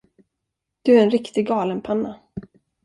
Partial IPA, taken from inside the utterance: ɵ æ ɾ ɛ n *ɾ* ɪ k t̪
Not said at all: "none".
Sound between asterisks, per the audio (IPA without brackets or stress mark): ɾ